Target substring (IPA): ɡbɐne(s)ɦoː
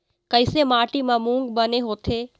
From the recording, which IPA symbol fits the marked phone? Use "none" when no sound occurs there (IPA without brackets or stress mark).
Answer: none